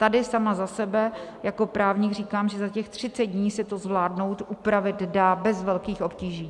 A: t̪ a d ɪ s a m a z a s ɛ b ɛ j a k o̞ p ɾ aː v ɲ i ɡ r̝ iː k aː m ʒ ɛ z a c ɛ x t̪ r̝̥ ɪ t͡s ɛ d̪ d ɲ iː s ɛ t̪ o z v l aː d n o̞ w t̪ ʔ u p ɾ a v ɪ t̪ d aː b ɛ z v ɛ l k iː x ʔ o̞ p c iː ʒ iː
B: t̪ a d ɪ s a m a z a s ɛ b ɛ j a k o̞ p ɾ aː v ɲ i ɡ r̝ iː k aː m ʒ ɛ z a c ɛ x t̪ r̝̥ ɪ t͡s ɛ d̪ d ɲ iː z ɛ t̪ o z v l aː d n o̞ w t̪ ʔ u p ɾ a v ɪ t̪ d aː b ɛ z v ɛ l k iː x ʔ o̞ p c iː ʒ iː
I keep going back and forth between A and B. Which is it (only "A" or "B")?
A